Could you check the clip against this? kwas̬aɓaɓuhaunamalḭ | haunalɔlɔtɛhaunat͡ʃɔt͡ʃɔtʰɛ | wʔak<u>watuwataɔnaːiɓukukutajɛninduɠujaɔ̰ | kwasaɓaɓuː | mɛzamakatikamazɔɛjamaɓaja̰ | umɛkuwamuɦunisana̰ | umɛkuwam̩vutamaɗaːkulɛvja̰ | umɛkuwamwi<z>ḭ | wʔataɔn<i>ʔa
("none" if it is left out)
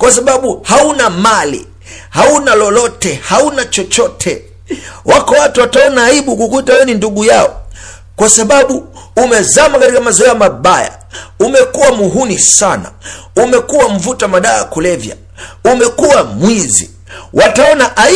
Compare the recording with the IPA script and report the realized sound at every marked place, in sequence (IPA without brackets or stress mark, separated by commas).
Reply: ɔ, z, a